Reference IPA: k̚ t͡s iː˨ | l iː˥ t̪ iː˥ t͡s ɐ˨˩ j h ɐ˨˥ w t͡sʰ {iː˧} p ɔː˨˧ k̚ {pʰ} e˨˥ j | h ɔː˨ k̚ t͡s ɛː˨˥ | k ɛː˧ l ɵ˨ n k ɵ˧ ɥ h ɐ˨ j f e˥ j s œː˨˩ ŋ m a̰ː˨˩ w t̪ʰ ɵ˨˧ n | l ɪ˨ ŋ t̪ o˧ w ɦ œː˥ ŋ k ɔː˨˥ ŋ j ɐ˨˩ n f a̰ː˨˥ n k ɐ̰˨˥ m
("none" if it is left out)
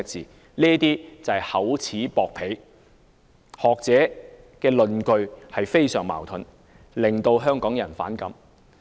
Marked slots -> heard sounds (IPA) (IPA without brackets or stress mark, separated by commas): iː˨˥, pʰ